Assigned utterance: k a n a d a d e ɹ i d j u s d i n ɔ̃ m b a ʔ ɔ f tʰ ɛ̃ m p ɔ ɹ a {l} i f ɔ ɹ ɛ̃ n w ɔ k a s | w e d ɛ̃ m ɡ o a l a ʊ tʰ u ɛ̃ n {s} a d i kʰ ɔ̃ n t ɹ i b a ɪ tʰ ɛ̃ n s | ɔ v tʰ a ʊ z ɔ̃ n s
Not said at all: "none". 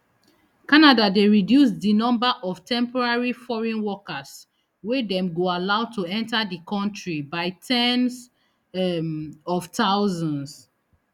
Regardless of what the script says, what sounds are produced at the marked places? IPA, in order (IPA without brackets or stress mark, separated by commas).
ɹ, t